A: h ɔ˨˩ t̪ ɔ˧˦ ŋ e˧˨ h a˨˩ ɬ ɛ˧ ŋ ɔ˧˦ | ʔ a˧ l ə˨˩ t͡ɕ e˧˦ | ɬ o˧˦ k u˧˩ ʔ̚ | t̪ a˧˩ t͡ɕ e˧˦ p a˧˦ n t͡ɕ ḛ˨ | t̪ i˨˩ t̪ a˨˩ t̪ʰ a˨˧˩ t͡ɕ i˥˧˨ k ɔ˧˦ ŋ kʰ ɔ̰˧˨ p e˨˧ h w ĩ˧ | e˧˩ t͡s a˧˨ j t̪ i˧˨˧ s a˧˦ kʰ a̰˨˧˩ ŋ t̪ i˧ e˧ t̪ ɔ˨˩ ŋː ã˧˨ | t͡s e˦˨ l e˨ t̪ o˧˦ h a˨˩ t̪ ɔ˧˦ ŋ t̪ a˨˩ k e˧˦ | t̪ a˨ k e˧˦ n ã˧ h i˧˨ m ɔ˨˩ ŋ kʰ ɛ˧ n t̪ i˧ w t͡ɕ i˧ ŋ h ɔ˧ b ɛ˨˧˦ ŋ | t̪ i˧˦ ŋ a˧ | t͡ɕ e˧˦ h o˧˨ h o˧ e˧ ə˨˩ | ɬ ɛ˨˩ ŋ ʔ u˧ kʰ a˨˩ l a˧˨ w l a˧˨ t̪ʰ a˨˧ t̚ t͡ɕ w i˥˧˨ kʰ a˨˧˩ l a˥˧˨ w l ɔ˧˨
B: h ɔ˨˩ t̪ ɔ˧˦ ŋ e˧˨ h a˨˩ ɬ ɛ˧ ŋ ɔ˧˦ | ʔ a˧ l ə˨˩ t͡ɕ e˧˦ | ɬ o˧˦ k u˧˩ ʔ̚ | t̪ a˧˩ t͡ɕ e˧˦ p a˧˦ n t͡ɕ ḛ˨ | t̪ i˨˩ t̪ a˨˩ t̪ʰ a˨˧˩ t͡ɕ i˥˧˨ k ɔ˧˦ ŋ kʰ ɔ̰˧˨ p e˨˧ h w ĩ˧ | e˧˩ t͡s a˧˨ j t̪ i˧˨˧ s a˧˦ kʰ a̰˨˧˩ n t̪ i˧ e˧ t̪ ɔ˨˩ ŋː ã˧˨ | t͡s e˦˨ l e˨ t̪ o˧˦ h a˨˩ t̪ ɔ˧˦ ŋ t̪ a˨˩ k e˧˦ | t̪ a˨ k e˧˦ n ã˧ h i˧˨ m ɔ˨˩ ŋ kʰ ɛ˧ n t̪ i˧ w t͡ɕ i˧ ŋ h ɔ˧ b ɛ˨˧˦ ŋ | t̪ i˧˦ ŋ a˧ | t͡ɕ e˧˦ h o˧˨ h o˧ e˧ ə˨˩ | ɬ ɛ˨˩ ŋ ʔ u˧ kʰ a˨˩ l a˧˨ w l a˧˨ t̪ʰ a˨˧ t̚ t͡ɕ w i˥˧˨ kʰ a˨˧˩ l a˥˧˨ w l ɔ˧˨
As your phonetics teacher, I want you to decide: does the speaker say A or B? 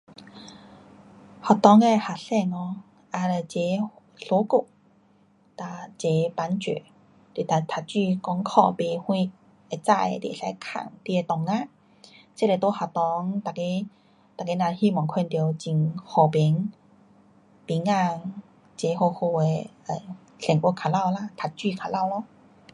A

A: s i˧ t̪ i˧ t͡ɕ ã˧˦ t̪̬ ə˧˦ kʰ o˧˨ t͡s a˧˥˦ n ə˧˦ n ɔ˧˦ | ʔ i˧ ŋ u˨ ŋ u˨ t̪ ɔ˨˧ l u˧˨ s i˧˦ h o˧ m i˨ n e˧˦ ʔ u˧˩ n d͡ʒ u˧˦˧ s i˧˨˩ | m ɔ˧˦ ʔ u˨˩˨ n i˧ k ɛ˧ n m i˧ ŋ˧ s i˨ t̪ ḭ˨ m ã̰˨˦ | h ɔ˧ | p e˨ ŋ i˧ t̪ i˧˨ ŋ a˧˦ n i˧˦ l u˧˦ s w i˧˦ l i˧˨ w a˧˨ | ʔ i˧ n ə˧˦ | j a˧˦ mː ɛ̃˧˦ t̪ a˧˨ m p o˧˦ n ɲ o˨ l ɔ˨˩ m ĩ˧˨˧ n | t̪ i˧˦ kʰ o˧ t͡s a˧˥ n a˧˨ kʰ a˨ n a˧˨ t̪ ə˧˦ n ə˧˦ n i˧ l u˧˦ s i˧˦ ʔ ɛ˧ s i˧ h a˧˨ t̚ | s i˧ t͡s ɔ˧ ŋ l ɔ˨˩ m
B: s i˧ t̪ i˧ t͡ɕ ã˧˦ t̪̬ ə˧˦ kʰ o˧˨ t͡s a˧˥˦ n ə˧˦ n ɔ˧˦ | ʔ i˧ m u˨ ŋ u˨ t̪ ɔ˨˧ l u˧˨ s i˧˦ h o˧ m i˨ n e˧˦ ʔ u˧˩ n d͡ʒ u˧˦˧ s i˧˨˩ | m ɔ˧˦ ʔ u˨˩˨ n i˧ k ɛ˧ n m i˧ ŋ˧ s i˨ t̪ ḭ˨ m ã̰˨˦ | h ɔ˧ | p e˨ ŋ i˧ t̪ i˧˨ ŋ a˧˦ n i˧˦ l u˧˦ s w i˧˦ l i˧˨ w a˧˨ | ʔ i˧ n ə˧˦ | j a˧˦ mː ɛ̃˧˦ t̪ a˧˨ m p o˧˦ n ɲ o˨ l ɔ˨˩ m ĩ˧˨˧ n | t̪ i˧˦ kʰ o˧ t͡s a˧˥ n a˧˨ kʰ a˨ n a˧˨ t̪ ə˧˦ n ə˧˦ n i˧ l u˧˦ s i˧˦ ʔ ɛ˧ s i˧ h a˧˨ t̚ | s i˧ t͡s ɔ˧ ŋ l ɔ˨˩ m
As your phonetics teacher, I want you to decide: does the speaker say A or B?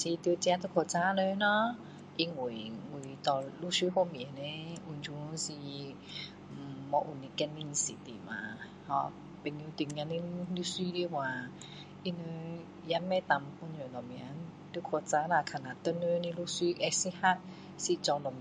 A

